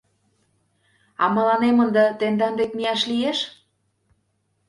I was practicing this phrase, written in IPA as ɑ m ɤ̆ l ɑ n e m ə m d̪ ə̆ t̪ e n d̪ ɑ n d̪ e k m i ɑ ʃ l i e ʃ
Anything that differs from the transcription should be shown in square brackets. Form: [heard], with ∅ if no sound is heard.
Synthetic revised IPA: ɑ m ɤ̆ l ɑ n e m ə [n] d̪ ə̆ t̪ e n d̪ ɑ n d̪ e k m i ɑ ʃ l i e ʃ